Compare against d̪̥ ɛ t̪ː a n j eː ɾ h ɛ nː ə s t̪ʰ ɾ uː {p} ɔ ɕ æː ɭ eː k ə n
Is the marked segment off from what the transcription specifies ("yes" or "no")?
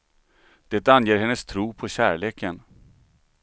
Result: yes